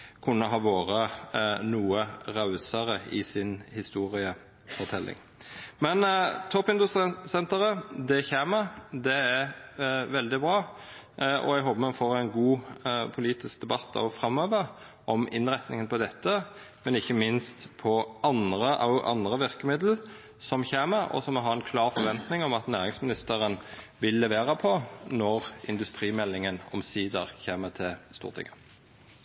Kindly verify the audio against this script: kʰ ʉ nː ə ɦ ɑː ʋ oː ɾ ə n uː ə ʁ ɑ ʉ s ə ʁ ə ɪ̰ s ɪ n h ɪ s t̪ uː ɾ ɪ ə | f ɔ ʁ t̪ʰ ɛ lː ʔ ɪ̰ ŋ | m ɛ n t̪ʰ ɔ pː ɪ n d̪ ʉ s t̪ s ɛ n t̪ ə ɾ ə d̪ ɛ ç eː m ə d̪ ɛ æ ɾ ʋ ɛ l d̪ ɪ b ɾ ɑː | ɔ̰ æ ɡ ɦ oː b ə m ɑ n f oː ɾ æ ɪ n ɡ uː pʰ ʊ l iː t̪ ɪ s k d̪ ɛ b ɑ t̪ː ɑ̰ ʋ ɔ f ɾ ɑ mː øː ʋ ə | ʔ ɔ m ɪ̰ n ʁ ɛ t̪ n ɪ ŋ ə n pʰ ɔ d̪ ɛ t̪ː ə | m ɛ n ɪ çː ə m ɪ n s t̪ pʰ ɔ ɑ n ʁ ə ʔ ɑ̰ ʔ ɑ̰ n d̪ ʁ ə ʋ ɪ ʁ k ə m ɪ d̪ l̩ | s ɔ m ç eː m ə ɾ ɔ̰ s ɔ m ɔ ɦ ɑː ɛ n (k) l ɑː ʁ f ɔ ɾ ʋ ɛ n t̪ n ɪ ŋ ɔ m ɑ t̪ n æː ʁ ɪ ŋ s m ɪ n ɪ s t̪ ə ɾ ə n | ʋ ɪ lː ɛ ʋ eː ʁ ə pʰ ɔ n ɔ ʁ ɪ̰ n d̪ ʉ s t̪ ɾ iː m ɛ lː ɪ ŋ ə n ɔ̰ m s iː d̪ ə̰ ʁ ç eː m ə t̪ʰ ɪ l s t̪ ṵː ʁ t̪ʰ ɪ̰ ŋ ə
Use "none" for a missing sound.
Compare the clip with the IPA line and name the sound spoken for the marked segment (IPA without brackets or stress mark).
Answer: kʰ